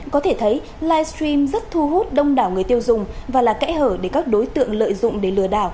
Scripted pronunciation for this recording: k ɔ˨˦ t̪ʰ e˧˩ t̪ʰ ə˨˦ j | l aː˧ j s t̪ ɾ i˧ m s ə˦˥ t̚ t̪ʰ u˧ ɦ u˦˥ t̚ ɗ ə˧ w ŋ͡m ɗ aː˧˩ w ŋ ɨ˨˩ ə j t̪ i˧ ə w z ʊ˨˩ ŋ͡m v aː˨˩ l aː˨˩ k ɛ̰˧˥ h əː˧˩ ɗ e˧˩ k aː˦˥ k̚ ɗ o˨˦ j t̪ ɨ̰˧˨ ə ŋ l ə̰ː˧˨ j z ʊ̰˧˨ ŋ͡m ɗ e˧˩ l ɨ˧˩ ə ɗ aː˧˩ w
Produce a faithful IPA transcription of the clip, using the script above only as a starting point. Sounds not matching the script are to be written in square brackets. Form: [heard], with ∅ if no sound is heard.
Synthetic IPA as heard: k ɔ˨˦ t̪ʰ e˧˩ t̪ʰ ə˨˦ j | l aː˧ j s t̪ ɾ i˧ m [z] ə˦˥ t̚ t̪ʰ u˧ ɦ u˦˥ t̚ ɗ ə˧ w ŋ͡m ɗ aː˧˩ w ŋ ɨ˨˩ ə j t̪ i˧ ə w z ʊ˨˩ ŋ͡m v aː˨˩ l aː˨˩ k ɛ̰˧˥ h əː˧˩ ɗ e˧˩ k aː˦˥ k̚ ɗ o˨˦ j t̪ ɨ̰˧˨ ə ŋ l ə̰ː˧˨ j z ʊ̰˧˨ ŋ͡m ɗ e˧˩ l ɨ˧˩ ə ɗ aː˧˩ w